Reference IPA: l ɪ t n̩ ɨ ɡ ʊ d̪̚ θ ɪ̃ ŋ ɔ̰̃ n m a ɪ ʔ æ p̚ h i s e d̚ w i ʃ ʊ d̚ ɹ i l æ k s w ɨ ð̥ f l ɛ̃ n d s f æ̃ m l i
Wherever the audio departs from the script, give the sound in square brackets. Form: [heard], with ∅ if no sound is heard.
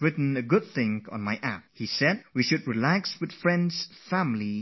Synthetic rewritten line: [ɹ] ɪ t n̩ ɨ ɡ ʊ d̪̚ θ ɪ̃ ŋ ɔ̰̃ n m a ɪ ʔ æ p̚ h i s [ɛ] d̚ w i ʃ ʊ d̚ ɹ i l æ k s w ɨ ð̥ f [ɹ] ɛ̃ n d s f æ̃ m l i